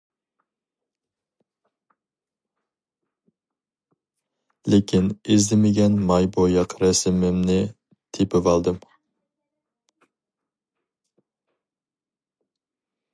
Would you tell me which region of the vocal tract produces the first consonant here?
tongue tip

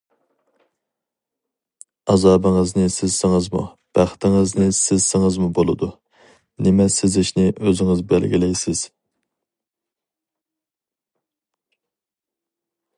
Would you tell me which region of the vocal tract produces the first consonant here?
tongue tip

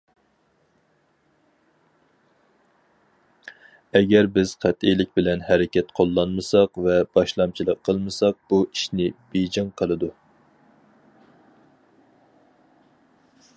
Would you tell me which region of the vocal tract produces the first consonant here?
velum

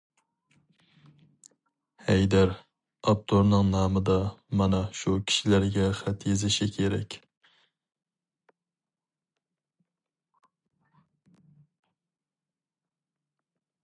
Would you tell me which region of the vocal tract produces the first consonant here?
throat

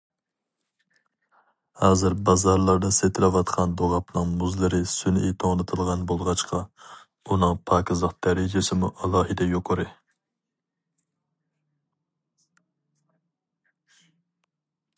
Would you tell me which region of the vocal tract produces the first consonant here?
throat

